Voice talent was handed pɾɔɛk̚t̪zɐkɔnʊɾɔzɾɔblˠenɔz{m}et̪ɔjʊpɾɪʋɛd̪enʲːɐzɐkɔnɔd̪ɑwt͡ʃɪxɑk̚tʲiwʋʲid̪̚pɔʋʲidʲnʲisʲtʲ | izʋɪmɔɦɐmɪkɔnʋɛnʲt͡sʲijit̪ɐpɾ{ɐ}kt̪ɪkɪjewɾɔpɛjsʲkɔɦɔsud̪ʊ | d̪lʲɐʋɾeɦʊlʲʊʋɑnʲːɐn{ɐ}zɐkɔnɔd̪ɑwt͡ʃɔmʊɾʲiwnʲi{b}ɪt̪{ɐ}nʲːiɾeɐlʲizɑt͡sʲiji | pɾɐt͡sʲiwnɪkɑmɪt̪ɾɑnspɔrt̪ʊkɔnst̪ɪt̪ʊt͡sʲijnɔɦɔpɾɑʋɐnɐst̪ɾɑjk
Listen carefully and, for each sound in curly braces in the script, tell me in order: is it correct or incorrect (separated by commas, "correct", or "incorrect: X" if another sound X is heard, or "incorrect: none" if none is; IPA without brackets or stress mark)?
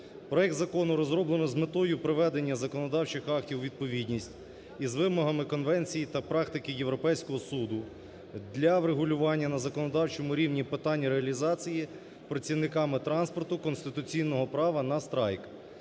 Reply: correct, incorrect: ɑ, correct, incorrect: p, incorrect: ɑ